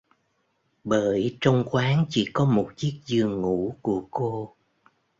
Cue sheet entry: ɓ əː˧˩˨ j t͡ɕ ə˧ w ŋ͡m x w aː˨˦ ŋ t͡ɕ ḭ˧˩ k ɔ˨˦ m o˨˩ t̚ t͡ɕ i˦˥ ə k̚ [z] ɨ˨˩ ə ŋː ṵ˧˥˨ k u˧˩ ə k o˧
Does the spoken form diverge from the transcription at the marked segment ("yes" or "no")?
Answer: no